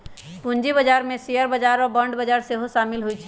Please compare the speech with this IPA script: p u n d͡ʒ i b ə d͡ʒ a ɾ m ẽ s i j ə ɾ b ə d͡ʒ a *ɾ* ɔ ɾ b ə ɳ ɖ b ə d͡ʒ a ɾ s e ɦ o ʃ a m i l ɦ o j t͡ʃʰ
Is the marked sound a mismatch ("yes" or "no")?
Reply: no